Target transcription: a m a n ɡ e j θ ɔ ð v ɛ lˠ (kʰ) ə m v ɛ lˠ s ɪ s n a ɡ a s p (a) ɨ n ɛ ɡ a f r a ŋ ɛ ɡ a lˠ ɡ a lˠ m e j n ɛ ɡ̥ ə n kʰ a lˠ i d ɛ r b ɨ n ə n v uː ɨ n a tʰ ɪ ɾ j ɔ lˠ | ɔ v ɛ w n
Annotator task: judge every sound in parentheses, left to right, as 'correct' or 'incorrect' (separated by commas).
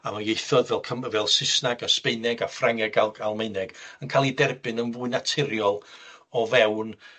correct, incorrect